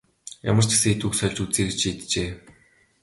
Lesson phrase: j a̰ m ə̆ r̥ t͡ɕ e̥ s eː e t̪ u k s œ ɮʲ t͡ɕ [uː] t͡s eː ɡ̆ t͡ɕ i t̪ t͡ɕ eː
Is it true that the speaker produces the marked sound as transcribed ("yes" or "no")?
no